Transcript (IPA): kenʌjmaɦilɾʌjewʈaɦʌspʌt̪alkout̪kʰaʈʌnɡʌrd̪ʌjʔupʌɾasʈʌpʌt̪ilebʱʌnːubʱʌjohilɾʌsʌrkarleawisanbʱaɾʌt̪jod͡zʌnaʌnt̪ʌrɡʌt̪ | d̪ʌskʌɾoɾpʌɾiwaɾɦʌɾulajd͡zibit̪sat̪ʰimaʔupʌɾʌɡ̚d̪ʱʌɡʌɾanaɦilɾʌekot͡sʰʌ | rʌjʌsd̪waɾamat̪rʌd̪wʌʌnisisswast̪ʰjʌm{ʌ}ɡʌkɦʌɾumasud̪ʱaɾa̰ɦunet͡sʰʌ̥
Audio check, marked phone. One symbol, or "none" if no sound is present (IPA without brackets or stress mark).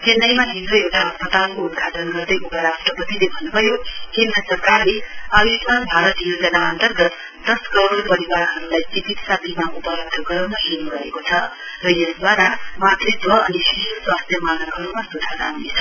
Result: a